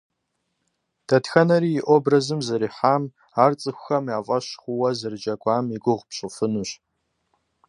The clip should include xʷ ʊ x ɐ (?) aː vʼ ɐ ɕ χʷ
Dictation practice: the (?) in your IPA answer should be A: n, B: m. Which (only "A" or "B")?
B